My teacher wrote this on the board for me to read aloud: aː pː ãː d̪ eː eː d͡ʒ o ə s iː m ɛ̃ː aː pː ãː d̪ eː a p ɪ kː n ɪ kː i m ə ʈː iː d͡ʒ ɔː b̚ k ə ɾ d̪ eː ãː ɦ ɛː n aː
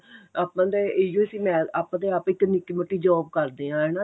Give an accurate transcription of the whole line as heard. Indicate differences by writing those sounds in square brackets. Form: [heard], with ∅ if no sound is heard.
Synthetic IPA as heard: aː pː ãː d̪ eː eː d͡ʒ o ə s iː m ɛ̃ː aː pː ãː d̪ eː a p ɪ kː n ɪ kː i m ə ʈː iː d͡ʒ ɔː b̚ k ə ɾ d̪ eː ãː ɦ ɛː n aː